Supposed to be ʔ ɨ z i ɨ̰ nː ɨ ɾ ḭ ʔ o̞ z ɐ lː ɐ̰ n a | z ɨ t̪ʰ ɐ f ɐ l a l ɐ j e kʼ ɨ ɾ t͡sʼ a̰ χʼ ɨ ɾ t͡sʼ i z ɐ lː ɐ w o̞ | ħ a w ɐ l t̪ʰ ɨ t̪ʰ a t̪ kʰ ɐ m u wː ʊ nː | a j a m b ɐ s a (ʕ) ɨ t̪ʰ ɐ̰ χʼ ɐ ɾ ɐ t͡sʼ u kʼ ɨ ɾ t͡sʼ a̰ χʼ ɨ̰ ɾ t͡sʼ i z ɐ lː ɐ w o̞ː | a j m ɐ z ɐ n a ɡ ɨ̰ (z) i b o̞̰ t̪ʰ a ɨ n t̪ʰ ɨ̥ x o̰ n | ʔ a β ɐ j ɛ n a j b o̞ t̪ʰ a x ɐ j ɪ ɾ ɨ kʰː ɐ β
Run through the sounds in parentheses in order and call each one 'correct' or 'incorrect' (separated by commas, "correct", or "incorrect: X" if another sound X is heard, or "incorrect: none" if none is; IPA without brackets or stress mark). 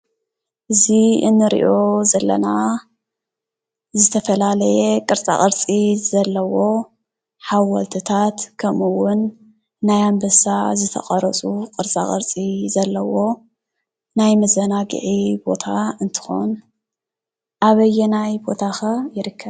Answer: incorrect: z, incorrect: ʕ